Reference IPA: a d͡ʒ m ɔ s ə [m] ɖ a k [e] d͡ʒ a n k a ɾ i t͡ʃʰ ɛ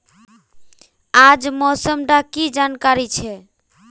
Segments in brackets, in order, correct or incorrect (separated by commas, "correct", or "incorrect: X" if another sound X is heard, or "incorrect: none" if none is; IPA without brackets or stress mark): correct, incorrect: i